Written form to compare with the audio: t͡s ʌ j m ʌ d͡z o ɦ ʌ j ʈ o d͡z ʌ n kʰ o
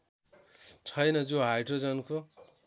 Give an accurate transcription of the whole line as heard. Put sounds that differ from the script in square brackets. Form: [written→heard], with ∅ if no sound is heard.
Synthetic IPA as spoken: [t͡s→t͡sʰ] ʌ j [m→n] ʌ d͡z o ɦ [ʌ→a] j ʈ o d͡z ʌ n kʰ o